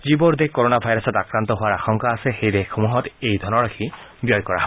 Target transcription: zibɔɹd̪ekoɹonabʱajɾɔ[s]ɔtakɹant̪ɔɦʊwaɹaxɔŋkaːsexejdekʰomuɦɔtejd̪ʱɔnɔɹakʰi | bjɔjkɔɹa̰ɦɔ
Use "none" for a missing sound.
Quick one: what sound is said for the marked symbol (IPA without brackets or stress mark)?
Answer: s